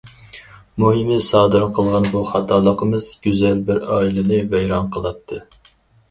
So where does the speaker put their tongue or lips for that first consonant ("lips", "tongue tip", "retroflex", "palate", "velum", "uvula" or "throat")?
lips